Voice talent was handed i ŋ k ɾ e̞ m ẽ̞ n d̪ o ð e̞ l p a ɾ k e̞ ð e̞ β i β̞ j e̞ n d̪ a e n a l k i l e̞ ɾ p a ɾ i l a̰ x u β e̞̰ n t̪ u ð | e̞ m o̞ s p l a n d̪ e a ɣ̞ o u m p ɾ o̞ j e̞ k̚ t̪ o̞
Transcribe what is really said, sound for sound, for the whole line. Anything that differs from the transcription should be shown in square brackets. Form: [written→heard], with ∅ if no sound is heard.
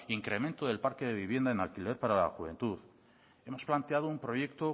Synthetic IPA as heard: i ŋ k ɾ e̞ m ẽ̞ n [d̪→t̪] o ð e̞ l p a ɾ k e̞ ð e̞ β i β̞ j e̞ n d̪ a e n a l k i l e̞ ɾ p a ɾ [i→a] l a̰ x u β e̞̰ n t̪ u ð | e̞ m o̞ s p l a n [d̪→t̪] e a [ɣ̞→ð̞] o u m p ɾ o̞ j e̞ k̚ t̪ o̞